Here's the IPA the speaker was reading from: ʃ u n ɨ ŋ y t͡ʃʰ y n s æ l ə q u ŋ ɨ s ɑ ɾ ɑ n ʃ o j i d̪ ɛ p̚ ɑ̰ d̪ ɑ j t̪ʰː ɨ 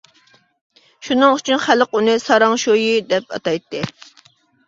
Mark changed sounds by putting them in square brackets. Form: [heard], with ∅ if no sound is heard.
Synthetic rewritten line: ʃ u n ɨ ŋ y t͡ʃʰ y n [χ] æ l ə q u [n] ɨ s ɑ ɾ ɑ [ŋ] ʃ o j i d̪ ɛ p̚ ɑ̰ [t̪] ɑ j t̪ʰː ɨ

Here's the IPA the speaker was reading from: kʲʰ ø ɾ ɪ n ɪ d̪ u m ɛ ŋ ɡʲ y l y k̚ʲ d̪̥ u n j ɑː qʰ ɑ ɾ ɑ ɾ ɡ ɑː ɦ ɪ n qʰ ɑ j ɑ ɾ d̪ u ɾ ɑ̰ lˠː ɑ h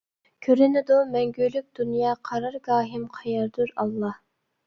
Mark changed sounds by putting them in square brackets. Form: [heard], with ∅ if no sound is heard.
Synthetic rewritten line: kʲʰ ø ɾ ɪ n ɪ d̪ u m ɛ ŋ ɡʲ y l y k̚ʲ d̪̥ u n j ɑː qʰ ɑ ɾ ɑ ɾ ɡ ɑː ɦ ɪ [m] qʰ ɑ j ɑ ɾ d̪ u ɾ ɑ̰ lˠː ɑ h

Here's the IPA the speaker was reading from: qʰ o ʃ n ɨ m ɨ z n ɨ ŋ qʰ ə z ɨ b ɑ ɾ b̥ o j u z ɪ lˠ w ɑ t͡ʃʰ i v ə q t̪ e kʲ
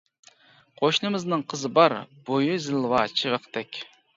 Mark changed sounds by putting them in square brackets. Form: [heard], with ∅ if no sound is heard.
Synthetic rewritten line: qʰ o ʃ n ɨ m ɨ z n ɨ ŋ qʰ ə z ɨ b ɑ ɾ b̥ o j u z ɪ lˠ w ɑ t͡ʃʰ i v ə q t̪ [ɛ] kʲ

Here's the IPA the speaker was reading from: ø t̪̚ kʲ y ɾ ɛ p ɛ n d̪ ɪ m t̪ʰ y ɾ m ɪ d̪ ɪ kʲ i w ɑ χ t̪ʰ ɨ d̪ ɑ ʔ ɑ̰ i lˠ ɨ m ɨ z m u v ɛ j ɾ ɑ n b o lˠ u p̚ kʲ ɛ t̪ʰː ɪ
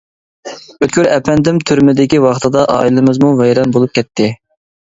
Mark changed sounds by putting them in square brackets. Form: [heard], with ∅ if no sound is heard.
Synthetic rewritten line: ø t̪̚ kʲ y ɾ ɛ p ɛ n d̪ ɪ m t̪ʰ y ɾ m ɪ d̪ ɪ kʲ i w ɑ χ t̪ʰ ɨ d̪ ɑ ʔ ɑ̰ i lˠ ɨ m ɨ z m u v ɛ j ɾ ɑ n b o lˠ u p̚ kʲ ɛ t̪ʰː ɪ

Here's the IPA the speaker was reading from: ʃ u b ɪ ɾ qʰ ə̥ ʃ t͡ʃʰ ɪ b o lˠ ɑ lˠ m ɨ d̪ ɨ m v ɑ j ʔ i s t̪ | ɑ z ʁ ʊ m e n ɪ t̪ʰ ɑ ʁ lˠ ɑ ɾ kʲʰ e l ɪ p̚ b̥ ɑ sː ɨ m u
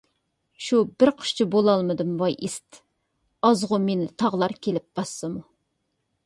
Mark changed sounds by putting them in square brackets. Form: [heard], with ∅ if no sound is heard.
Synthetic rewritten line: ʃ u b ɪ ɾ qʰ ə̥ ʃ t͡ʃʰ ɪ b o lˠ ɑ lˠ m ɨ d̪ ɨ m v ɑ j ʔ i s t̪ | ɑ z ʁ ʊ m e n ɪ t̪ʰ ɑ ʁ lˠ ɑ ɾ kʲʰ e l ɪ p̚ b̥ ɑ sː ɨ m u

